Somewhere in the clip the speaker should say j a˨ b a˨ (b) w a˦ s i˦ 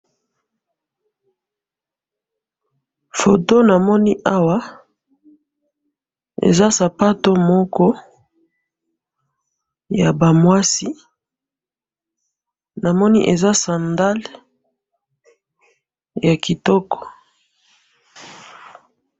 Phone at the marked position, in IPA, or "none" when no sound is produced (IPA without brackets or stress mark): m